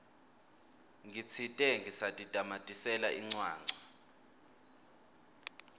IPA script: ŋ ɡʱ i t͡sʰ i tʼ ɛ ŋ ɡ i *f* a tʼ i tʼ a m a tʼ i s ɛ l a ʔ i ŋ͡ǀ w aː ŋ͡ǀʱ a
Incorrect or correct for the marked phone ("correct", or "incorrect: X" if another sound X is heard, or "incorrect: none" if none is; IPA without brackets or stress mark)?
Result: incorrect: s